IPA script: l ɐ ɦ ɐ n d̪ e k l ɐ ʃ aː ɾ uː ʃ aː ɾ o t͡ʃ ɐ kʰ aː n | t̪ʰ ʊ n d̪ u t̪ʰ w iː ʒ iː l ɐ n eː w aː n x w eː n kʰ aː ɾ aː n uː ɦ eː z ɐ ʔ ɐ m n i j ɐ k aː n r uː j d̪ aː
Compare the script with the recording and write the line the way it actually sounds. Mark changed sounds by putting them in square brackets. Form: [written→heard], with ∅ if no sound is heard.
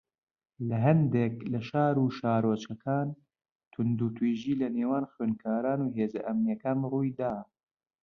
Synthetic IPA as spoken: l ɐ ɦ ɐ n d̪ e k l ɐ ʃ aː ɾ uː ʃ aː ɾ o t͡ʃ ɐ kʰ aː n | t̪ʰ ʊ n d̪ u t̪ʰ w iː ʒ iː l ɐ n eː w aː n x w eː n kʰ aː ɾ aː n uː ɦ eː z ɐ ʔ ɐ m n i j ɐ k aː n r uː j d̪ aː